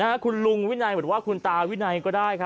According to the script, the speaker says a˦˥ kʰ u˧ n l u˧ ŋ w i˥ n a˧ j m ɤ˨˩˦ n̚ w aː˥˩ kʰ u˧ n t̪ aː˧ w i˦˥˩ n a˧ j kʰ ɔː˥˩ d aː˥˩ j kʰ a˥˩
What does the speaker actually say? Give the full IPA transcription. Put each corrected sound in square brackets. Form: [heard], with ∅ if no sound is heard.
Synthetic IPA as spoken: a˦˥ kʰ u˧ n l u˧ ŋ w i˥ n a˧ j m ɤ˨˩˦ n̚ w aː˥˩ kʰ u˧ n t̪ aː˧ w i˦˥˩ n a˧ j [k] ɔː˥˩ d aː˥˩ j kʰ [a˦˥]